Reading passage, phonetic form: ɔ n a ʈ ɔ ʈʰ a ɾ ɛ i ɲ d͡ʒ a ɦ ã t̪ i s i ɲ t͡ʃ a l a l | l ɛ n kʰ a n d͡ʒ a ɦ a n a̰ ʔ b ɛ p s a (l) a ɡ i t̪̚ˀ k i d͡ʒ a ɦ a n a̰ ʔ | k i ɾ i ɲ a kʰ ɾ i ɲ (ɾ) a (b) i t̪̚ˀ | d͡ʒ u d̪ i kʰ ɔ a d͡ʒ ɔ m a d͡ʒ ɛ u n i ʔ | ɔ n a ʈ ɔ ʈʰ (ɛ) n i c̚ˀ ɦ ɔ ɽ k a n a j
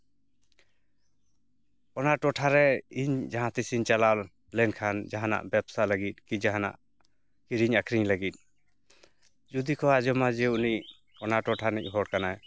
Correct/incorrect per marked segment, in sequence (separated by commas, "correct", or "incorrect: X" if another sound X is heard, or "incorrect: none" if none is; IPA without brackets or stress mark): correct, incorrect: l, incorrect: ɡ, incorrect: a